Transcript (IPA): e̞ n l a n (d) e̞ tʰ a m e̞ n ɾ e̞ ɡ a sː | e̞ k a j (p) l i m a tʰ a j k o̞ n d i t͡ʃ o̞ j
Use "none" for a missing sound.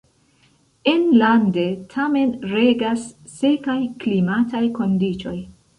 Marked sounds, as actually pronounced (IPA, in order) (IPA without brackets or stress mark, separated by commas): d, k